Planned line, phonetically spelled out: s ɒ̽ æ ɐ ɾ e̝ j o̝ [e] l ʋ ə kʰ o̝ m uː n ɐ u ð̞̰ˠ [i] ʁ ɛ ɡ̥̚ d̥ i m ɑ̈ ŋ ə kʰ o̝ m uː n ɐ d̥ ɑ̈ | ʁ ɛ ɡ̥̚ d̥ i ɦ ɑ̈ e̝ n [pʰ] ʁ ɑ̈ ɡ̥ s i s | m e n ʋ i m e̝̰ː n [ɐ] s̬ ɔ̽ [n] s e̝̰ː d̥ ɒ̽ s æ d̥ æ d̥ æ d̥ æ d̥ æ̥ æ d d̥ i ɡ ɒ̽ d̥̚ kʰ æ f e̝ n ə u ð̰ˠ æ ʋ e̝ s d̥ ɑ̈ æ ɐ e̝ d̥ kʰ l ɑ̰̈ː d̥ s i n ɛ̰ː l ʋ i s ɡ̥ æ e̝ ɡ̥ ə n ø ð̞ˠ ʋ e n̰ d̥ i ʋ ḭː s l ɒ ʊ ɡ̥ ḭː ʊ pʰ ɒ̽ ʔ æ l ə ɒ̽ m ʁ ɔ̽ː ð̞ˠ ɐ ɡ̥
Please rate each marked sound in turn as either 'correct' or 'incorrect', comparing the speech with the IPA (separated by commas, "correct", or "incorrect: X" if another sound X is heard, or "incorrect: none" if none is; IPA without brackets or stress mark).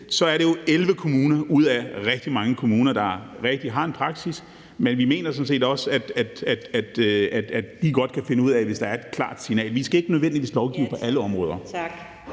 correct, incorrect: æ, correct, correct, correct